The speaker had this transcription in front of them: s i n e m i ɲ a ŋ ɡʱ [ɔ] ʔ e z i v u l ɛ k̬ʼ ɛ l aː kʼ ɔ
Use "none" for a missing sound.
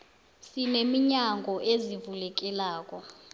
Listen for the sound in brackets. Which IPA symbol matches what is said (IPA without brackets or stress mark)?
ɔ